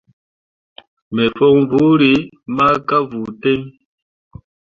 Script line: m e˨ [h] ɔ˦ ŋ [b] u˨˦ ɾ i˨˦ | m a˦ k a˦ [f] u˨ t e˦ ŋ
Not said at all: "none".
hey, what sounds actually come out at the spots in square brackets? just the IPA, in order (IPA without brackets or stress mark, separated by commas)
f, v, v